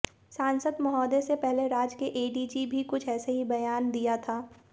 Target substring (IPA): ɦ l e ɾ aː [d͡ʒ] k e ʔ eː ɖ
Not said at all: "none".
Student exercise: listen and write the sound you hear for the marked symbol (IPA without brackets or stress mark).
d͡ʒ